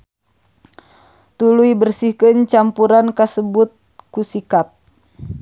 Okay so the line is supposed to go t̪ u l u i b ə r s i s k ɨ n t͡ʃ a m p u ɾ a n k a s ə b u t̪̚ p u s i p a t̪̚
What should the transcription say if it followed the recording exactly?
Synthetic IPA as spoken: t̪ u l u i b ə r s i h k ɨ n t͡ʃ a m p u ɾ a n k a s ə b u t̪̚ k u s i k a t̪̚